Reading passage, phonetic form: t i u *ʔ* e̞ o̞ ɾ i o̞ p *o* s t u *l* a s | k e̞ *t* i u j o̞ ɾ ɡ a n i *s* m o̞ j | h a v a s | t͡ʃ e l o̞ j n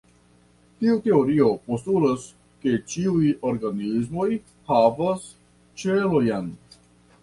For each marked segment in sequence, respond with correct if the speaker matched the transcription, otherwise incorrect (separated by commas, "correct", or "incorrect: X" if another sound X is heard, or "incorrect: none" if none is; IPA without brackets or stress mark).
incorrect: t, correct, correct, incorrect: t͡ʃ, incorrect: z